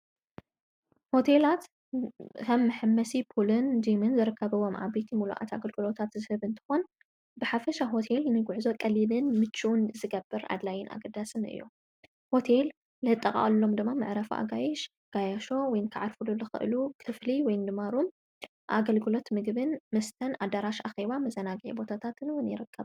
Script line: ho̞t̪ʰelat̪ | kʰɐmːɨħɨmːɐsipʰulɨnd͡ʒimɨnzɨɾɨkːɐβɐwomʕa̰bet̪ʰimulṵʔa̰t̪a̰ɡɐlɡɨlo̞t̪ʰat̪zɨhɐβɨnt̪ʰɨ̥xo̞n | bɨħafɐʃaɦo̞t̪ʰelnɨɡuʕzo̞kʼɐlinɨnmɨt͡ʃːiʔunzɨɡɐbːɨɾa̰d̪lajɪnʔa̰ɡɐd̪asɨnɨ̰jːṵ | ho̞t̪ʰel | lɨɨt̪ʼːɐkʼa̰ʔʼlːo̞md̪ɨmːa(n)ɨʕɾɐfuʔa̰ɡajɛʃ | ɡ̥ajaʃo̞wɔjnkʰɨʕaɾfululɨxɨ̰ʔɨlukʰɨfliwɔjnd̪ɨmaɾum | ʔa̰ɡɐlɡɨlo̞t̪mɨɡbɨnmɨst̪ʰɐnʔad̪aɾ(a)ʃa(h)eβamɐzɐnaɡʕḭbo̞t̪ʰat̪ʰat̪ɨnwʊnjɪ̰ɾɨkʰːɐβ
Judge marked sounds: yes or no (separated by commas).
no, yes, no